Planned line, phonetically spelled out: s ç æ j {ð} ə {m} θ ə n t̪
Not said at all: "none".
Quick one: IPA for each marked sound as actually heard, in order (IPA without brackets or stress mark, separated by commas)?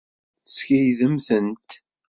ð, m